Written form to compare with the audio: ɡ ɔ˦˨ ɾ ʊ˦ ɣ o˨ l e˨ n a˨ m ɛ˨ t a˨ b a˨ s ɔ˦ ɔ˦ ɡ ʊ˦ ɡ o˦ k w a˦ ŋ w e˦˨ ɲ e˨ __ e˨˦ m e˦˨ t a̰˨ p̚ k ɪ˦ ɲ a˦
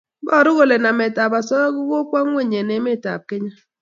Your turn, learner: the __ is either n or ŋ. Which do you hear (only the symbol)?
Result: n